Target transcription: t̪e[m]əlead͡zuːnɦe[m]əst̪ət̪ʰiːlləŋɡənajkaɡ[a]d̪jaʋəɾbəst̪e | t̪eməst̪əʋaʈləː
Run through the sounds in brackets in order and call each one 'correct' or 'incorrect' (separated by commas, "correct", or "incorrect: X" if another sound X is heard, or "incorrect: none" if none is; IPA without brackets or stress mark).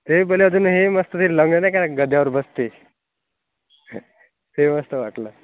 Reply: incorrect: b, correct, incorrect: ə